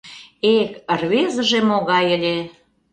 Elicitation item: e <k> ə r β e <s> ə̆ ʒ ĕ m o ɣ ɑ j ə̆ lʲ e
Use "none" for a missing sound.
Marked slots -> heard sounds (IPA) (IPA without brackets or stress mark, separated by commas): k, z